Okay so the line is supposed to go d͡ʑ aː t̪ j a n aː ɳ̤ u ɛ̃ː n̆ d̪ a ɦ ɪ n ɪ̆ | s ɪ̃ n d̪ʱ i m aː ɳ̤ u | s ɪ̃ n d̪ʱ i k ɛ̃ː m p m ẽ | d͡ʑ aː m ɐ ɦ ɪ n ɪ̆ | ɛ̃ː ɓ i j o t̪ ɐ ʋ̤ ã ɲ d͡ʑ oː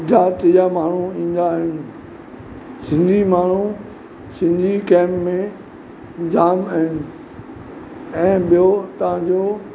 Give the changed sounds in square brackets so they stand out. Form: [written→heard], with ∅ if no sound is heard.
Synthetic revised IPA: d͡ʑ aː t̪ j a [n→m] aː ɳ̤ u [ɛ̃ː→ĩː] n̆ d̪ a ɦ ɪ n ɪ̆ | s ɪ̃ n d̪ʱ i m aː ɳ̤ u | s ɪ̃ n d̪ʱ i k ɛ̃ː m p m ẽ | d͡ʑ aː m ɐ ɦ ɪ n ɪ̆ | ɛ̃ː ɓ i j o t̪ ɐ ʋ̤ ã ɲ d͡ʑ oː